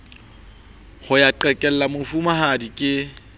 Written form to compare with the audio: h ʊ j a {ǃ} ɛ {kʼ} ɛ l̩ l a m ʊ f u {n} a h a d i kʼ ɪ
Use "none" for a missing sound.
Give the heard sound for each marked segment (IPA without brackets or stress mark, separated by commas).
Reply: ǃ, kʼ, m